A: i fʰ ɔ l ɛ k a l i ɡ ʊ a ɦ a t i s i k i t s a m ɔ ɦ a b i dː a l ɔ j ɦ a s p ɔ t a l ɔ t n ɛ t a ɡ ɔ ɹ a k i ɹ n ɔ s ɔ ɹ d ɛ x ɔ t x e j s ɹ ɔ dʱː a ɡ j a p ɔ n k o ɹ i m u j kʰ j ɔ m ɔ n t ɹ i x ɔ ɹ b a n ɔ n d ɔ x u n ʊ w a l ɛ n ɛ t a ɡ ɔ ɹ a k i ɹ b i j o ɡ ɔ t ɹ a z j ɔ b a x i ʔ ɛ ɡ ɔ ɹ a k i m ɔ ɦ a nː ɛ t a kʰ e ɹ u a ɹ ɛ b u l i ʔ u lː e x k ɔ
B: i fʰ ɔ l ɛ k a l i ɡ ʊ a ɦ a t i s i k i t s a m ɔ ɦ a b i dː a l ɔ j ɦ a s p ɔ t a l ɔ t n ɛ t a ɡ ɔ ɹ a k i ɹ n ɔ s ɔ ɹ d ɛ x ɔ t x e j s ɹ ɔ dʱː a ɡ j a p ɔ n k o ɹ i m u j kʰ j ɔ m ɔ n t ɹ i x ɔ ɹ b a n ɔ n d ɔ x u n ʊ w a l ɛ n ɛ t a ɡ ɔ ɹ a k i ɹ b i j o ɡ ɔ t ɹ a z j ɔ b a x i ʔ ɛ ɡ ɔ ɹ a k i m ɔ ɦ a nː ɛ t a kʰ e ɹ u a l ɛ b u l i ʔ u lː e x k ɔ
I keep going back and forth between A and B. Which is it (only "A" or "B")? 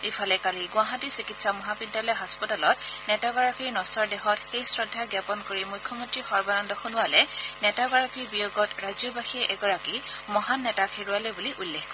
B